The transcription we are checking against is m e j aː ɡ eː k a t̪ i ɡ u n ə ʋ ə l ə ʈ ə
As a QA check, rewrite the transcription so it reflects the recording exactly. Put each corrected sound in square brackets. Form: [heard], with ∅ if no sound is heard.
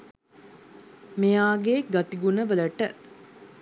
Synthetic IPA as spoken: m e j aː ɡ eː [ɡ] a t̪ i ɡ u n ə ʋ ə l ə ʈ ə